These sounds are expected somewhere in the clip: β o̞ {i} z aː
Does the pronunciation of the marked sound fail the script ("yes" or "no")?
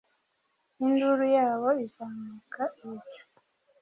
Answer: no